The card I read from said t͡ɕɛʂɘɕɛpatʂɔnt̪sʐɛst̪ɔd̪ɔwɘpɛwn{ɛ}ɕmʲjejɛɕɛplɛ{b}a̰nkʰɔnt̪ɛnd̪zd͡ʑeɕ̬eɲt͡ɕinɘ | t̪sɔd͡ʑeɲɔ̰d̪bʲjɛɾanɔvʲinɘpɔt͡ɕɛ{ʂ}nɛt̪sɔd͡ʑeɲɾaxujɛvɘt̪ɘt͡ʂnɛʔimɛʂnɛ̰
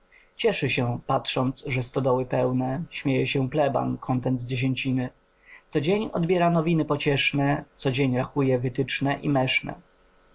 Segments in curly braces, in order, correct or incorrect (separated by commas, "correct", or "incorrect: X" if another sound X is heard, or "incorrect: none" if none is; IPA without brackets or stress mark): correct, correct, correct